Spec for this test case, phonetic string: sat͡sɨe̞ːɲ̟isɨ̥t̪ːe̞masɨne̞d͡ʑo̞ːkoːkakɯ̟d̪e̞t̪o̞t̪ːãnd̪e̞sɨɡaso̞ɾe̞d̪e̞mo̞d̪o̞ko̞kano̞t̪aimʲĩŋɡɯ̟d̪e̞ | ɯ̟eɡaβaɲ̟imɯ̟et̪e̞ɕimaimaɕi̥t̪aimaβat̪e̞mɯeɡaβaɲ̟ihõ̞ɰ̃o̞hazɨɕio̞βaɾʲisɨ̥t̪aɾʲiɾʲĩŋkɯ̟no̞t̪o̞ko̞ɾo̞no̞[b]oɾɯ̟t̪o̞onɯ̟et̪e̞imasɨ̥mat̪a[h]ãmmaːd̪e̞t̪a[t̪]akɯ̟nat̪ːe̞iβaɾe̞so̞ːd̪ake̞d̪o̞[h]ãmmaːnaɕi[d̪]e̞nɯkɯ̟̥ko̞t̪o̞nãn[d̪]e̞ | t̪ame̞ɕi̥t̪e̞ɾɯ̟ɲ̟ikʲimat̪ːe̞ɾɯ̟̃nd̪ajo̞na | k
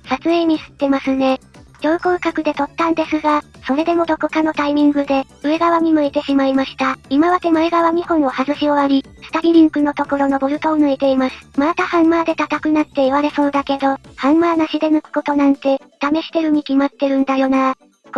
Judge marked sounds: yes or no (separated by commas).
yes, yes, yes, yes, yes, no